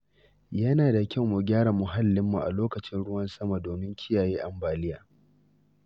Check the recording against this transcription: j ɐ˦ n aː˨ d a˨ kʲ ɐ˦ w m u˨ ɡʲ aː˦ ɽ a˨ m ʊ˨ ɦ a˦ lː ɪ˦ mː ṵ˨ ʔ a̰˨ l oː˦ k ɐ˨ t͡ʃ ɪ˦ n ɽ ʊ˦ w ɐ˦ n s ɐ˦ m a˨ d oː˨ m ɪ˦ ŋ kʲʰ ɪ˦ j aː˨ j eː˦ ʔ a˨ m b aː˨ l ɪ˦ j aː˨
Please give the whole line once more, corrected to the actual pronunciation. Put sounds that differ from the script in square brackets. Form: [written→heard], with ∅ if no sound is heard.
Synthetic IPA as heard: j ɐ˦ n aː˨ d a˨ kʲ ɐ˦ w m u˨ ɡʲ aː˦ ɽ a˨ m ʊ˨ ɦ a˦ lː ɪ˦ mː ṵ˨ ʔ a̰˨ l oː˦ k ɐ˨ t͡ʃ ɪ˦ n ɽ ʊ˦ w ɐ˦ n s ɐ˦ m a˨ d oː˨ m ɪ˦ ŋ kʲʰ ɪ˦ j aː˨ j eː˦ ʔ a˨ m b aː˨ l ɪ˦ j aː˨